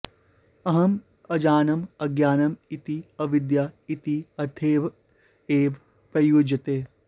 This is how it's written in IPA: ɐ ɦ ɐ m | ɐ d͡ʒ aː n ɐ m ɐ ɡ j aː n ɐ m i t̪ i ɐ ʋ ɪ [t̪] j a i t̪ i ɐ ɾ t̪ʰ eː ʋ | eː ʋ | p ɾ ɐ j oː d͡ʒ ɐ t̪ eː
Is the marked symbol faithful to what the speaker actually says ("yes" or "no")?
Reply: no